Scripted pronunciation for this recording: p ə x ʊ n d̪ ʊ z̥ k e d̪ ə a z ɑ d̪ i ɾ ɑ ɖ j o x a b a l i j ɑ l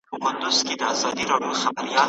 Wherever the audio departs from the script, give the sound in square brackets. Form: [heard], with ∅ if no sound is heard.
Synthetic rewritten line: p ə [k] ʊ n d̪ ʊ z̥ k e d̪ ə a z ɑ d̪ i ɾ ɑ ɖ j o x a b a [ɾ] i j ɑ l